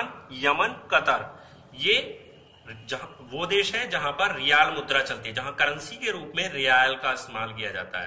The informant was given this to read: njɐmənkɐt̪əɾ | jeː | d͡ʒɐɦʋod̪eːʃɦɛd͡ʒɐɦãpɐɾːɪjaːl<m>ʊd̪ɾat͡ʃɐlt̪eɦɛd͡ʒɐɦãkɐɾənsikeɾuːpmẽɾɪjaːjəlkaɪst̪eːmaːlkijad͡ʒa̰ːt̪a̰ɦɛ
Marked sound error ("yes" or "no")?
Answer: no